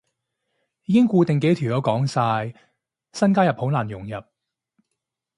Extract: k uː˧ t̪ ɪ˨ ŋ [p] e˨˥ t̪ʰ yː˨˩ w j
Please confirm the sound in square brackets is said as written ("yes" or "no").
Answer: no